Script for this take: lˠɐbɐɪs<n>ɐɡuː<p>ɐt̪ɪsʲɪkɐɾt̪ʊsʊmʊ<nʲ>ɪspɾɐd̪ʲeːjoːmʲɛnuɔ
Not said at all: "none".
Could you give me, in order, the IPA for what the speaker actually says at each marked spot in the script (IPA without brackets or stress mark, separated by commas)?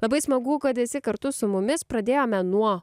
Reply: m, k, mʲ